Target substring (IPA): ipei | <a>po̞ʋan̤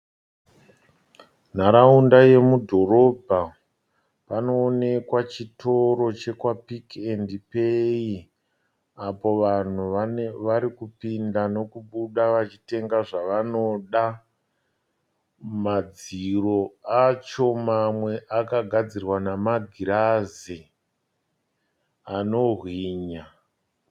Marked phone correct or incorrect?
correct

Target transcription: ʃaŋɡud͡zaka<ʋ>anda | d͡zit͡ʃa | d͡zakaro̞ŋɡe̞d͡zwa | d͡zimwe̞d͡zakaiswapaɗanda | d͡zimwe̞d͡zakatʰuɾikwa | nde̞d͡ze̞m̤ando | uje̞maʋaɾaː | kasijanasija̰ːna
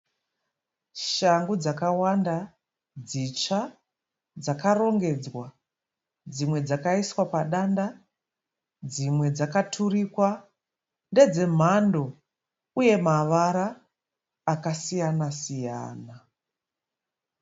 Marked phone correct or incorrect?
incorrect: w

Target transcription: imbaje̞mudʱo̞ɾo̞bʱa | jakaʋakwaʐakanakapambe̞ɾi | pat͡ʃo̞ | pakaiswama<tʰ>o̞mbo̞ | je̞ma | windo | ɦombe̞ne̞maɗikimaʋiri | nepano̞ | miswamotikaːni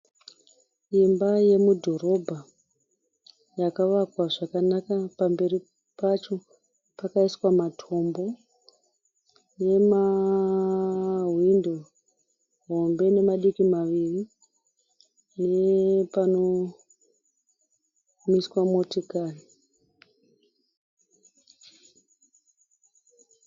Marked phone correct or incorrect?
correct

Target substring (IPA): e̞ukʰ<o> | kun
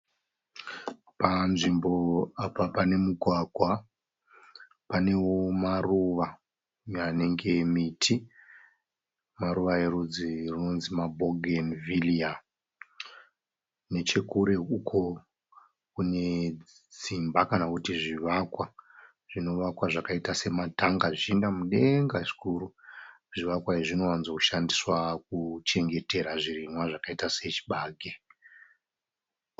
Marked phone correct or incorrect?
correct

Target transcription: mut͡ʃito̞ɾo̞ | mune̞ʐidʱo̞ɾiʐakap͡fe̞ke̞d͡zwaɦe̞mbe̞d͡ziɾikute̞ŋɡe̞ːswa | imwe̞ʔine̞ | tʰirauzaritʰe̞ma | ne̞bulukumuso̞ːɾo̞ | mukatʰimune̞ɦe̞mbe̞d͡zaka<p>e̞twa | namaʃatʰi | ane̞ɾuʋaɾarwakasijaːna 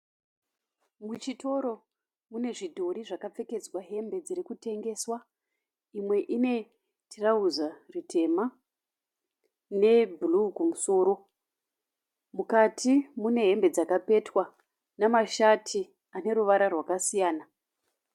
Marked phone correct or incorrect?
correct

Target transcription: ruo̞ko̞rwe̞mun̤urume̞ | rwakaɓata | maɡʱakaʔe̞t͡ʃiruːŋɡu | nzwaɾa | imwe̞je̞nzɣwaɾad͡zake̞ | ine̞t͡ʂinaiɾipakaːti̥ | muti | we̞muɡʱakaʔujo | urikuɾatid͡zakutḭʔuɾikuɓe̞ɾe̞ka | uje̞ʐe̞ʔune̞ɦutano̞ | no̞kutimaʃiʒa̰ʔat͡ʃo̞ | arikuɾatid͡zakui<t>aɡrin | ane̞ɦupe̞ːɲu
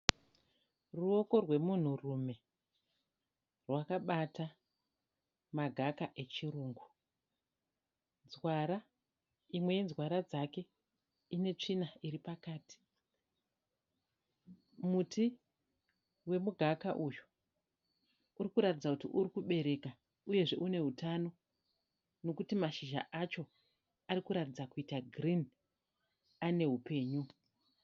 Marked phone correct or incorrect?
correct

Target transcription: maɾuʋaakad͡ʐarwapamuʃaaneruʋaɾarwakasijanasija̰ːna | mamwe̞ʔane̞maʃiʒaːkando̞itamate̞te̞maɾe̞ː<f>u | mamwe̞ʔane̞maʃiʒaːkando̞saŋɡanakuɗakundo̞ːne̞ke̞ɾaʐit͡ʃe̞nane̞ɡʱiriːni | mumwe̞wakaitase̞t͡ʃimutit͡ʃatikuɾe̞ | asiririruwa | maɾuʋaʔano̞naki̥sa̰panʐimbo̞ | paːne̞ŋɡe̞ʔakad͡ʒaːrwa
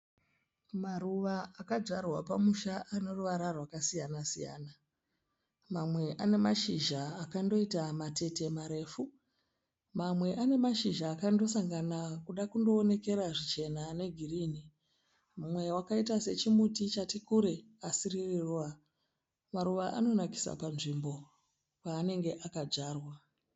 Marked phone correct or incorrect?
correct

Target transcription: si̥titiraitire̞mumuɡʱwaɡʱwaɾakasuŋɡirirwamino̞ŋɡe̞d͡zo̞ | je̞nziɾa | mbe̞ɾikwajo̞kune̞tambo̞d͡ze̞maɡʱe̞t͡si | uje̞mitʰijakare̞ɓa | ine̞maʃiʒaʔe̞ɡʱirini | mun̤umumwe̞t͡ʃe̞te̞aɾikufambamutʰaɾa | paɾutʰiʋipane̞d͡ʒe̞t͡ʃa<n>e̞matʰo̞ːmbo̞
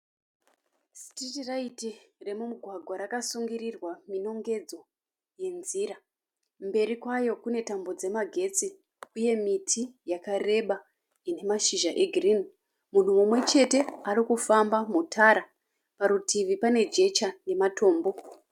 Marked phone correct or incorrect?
correct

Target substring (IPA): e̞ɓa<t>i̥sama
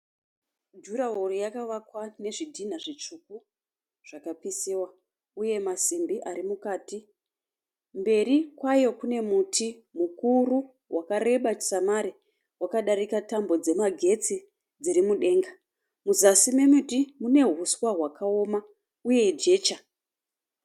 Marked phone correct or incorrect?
incorrect: t͡ʃ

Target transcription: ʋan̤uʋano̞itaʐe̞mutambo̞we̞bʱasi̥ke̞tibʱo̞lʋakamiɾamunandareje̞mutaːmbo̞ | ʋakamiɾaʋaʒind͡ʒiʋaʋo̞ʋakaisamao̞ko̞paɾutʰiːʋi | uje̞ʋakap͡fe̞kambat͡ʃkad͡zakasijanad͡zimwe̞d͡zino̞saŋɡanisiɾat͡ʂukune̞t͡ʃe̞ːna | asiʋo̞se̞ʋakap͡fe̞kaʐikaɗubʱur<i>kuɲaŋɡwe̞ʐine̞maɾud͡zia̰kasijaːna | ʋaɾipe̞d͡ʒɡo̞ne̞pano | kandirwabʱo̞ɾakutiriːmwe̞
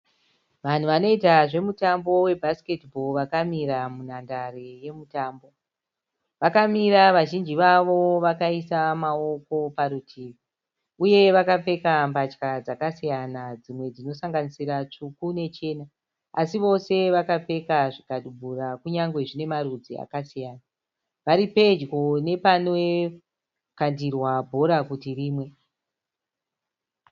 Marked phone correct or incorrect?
incorrect: a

